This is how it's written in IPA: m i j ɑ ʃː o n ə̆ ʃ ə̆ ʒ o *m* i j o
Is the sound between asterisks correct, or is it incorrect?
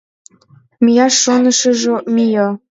correct